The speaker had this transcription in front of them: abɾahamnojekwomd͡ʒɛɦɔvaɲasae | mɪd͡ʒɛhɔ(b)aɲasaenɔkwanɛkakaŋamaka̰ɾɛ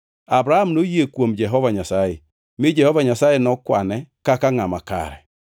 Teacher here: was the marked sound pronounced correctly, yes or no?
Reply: no